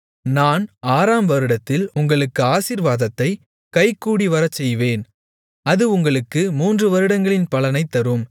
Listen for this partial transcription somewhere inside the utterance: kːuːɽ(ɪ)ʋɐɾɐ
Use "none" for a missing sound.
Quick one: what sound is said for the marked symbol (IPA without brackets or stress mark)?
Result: i